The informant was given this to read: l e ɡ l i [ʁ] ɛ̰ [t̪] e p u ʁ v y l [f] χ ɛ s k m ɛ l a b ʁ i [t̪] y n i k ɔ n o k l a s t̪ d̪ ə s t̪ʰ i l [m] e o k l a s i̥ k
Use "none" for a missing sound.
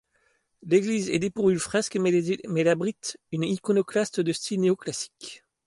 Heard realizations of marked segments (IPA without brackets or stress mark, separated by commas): z, d̪, f, t̪, n